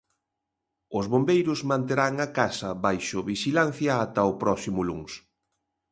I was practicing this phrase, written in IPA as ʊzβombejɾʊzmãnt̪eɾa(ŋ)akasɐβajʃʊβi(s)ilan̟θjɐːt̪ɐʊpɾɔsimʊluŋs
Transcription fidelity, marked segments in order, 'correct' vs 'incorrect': correct, incorrect: ʃ

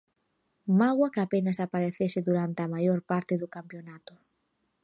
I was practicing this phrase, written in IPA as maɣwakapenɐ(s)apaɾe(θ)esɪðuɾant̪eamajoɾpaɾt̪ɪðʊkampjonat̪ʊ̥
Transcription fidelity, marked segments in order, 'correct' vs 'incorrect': correct, correct

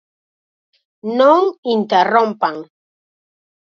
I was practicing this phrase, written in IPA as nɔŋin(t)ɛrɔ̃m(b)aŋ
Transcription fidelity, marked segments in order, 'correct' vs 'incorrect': correct, incorrect: p

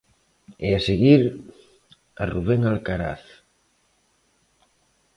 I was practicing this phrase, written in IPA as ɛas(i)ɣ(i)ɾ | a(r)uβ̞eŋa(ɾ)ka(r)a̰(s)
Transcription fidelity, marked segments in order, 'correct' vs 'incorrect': incorrect: e, correct, correct, incorrect: l, incorrect: ɾ, incorrect: θ

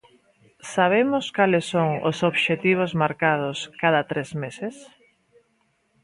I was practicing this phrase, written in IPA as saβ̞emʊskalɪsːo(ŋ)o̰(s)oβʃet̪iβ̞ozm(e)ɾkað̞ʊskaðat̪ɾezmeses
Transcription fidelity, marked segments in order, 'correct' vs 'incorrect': correct, correct, incorrect: a

